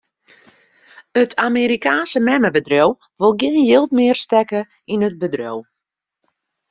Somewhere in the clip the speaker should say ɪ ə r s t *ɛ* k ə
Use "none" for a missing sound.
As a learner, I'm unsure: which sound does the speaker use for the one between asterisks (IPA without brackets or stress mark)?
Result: ɛ